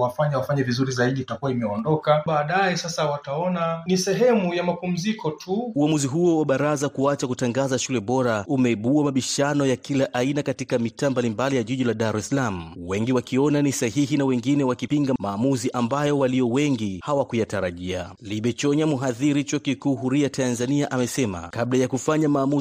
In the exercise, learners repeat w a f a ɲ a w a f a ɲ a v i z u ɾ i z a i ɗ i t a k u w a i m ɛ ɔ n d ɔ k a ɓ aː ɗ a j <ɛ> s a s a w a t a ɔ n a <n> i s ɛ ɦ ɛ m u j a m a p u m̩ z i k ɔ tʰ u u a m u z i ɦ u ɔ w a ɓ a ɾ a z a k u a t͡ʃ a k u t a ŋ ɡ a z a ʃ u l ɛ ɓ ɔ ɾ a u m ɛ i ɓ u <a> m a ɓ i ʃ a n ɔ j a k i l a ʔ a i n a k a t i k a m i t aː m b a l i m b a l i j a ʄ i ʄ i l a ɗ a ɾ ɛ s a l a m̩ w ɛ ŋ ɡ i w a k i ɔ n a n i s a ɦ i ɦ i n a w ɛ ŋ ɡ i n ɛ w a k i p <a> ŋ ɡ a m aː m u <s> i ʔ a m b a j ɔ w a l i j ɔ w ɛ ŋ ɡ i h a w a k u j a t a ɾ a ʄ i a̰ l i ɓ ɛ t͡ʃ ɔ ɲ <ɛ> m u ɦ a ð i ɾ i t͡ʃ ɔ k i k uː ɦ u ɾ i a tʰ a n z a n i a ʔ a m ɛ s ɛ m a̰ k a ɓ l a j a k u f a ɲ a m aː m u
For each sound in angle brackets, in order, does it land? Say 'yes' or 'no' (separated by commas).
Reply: yes, yes, yes, no, no, no